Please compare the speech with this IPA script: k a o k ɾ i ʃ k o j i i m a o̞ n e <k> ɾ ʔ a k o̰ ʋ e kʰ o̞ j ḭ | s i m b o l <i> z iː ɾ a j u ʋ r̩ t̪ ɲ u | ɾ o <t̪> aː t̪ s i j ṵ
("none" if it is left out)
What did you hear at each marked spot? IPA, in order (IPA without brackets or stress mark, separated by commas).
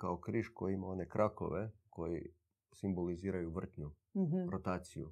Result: k, i, t̪